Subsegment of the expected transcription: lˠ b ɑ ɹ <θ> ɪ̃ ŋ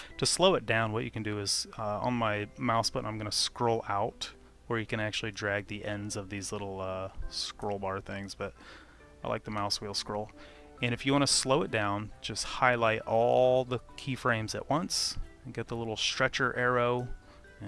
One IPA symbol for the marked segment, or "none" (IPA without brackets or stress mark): θ